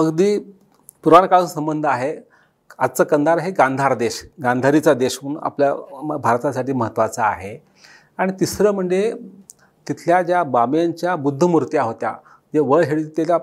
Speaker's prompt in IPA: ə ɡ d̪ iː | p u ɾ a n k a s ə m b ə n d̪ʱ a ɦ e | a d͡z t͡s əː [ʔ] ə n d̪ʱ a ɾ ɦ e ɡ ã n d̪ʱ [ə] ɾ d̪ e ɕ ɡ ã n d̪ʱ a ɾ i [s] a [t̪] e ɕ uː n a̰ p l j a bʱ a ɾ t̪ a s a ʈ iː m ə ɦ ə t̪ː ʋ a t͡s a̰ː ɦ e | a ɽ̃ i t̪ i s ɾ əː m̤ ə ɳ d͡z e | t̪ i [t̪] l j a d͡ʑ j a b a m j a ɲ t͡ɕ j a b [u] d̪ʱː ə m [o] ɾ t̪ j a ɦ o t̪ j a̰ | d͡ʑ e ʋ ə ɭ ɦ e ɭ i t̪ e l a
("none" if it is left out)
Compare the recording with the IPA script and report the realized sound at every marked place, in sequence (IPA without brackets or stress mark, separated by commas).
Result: k, a, t͡s, d̪, t̪ʰ, u, u